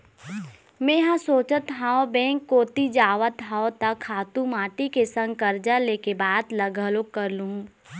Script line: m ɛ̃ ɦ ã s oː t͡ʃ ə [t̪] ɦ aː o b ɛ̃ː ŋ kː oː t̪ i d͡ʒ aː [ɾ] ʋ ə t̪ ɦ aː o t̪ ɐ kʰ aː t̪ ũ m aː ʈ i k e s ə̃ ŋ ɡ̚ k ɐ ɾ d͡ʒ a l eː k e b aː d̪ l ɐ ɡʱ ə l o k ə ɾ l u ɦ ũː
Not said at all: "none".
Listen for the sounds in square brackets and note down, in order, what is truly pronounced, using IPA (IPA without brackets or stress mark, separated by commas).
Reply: t̪, none